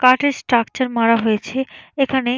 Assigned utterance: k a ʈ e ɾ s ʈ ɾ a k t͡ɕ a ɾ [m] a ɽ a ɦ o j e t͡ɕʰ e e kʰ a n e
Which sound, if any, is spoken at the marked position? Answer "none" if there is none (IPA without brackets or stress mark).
m